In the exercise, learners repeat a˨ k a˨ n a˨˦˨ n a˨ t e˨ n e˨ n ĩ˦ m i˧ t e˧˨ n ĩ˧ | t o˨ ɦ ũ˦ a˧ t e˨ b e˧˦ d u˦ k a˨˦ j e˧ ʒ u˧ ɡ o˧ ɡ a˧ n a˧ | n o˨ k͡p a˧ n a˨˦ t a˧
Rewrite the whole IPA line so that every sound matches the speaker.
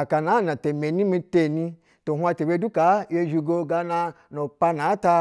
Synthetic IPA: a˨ k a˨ n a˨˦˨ n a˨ t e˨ m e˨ n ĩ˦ m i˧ t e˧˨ n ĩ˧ | t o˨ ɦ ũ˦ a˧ t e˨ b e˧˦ d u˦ k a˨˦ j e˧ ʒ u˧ ɡ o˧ ɡ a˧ n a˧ | n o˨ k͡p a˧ n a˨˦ t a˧